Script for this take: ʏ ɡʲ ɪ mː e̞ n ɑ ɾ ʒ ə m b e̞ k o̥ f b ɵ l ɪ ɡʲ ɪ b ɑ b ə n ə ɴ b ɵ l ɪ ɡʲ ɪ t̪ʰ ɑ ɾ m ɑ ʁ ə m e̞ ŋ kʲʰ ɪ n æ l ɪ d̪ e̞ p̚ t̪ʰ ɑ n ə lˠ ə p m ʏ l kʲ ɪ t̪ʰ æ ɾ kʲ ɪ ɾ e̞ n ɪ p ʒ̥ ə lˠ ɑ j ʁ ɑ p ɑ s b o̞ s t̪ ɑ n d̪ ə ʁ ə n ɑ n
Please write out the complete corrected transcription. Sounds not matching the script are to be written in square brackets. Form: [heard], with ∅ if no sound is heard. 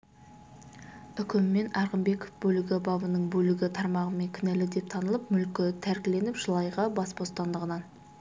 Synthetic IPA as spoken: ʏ [kʲ] ɪ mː e̞ n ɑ ɾ [ʁ] ə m b e̞ k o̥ f b ɵ l ɪ ɡʲ ɪ b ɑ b ə n ə ɴ b ɵ l ɪ ɡʲ ɪ t̪ʰ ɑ ɾ m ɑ ʁ ə m e̞ ŋ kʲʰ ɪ n æ l ɪ d̪ e̞ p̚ t̪ʰ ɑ n ə lˠ ə p m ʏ l kʲ ɪ t̪ʰ æ ɾ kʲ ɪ [l] e̞ n ɪ p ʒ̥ ə lˠ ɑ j ʁ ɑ [b] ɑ s b o̞ s t̪ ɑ n d̪ ə ʁ ə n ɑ n

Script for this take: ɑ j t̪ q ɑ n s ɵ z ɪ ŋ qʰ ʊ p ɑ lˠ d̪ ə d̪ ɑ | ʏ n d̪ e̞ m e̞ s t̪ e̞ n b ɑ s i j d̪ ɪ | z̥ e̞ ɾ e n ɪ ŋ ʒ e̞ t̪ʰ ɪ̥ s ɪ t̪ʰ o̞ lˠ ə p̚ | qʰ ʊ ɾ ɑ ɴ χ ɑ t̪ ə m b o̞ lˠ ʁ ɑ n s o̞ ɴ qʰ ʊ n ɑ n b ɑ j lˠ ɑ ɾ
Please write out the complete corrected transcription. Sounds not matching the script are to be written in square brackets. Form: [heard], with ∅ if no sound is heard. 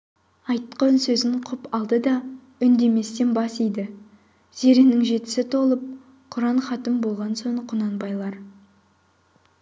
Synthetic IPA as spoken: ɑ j t̪ q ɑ n s ɵ z ɪ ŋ qʰ ʊ p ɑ lˠ d̪ ə d̪ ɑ | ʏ n d̪ e̞ m e̞ s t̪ e̞ n b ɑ s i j d̪ ɪ | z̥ e̞ ɾ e n ɪ ŋ ʒ e̞ [t̪] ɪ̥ s ɪ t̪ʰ o̞ lˠ ə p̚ | qʰ ʊ ɾ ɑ ɴ χ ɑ t̪ ə m b o̞ lˠ ʁ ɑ n s o̞ ɴ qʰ ʊ n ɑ n b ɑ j lˠ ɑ ɾ

